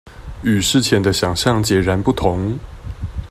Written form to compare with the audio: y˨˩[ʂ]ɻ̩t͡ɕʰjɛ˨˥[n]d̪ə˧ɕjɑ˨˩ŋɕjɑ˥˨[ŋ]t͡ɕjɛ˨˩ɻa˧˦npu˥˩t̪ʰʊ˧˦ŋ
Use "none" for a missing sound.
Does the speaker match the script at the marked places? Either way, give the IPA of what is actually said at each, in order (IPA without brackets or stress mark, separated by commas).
ʂ, n, ŋ